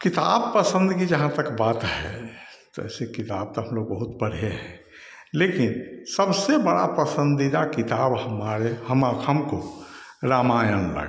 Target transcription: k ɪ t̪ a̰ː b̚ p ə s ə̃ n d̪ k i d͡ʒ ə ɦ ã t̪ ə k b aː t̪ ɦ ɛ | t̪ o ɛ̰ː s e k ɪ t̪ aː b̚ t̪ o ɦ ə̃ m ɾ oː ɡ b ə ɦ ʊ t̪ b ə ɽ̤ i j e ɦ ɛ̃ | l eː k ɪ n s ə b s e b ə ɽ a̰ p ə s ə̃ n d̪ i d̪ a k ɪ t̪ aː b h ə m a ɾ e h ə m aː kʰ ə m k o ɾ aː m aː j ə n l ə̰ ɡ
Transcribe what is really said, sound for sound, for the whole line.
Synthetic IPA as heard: k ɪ t̪ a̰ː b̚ p ə s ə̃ n d̪ k i d͡ʒ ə ɦ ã t̪ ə k b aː t̪ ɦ ɛ | t̪ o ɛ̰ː s e k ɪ t̪ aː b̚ t̪ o ɦ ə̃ m l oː ɡ b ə ɦ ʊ t̪ b ə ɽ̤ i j e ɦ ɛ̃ | l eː k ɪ n s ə b s e b ə ɽ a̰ p ə s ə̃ n d̪ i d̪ a k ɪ t̪ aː b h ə m a ɾ e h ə m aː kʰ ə m k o ɾ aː m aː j ə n l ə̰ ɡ